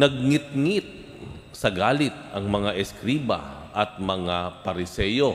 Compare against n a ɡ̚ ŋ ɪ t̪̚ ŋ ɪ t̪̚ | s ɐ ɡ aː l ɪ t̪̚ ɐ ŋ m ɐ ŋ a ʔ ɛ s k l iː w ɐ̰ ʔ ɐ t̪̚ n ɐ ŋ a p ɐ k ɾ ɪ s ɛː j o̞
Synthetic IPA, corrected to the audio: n ɐ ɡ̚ ŋ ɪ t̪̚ ŋ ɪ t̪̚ | s ɐ ɡ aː l ɪ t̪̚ ɐ ŋ m ɐ ŋ a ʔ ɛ s k ɾ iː b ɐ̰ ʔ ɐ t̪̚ m ɐ ŋ a p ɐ ɾ ɪ s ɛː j o̞